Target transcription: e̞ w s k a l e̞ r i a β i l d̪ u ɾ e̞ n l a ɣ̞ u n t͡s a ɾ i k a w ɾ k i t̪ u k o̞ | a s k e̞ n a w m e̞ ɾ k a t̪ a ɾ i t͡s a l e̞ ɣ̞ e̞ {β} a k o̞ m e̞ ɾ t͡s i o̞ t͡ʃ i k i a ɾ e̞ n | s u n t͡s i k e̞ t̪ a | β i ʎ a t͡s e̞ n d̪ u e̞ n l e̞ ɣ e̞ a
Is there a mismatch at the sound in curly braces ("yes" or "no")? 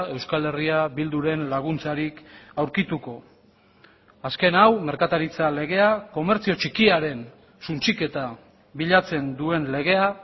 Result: yes